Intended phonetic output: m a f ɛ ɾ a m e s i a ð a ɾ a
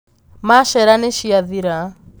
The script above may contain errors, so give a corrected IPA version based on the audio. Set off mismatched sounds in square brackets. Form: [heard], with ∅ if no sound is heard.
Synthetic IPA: m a [ʃ] ɛ ɾ a [n] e [ʃ] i a ð [i] ɾ a